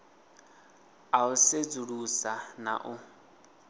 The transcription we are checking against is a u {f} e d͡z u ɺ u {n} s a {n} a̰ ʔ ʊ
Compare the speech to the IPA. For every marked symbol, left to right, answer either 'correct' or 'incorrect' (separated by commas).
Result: incorrect, incorrect, correct